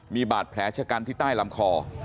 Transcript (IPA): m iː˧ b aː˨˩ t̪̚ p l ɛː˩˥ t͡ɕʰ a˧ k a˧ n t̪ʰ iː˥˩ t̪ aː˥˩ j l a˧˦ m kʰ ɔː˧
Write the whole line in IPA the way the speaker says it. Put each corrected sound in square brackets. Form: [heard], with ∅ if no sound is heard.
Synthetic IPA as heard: m iː˧ b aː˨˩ t̪̚ [pʰ] l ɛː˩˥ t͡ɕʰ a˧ k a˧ n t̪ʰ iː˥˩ t̪ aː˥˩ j l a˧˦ m kʰ ɔː˧